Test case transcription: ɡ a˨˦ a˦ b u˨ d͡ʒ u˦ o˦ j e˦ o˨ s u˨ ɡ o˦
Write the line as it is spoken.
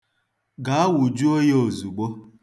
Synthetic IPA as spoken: ɡ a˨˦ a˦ w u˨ d͡ʒ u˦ o˦ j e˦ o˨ z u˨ ɡ͡b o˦